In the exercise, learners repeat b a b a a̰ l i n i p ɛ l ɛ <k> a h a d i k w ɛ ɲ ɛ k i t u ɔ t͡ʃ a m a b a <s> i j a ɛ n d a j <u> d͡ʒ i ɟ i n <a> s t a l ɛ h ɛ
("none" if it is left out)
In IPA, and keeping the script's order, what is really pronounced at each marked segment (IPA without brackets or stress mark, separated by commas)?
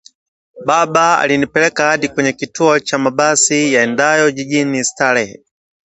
k, s, ɔ, i